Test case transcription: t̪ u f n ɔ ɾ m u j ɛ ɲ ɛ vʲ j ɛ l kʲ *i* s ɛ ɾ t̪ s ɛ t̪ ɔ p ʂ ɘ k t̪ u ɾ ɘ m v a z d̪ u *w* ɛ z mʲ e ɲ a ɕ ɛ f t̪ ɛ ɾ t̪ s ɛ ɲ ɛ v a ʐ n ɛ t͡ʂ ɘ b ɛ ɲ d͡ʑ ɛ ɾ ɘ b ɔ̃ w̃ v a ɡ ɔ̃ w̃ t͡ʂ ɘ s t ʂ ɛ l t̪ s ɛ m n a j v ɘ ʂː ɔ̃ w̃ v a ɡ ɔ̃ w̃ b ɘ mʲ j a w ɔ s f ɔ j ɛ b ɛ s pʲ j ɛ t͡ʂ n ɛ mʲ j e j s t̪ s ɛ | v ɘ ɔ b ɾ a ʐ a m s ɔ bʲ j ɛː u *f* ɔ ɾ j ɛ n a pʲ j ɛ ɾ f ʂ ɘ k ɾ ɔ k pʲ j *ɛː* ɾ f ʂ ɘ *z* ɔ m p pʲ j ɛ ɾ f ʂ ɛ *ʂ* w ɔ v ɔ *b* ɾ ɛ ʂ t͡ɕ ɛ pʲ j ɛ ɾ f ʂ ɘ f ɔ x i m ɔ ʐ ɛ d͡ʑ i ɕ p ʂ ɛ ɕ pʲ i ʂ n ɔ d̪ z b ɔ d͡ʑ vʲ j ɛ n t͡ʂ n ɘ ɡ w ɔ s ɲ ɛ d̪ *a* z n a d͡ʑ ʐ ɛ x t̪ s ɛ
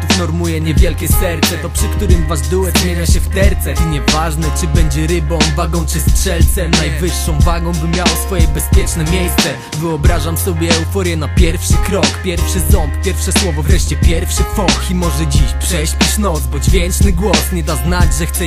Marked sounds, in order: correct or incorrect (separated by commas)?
incorrect, correct, correct, incorrect, correct, incorrect, incorrect, correct